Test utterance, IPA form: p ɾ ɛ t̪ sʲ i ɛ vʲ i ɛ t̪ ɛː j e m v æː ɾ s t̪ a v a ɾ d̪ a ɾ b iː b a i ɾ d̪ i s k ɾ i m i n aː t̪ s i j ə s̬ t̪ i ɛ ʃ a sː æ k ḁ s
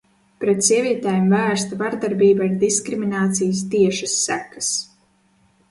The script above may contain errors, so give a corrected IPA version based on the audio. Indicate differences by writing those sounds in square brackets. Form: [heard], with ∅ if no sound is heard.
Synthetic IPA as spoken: p ɾ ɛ t̪ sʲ i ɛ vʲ i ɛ t̪ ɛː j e m v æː ɾ s t̪ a v a ɾ d̪ a ɾ b iː b a i ɾ d̪ i s k ɾ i m i n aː t̪ s i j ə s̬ t̪ i ɛ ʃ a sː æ k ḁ s